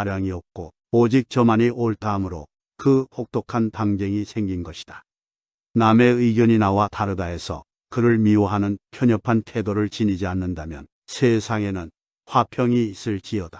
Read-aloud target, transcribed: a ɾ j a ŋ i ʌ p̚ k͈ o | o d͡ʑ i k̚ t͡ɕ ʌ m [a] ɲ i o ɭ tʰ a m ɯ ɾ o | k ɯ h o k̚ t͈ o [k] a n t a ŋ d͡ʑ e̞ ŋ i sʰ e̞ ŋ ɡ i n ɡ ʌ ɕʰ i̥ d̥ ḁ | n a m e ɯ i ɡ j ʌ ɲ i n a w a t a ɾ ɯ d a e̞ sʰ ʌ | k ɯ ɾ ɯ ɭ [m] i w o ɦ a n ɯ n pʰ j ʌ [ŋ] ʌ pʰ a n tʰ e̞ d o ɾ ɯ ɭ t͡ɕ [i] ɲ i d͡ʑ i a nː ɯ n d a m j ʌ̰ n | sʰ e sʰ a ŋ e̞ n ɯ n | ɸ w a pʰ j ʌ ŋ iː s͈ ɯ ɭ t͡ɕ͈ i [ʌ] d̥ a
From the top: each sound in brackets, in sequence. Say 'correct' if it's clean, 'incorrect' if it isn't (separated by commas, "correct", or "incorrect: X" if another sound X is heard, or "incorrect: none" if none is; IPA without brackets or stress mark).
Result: correct, incorrect: kʰ, correct, incorrect: ɲ, correct, correct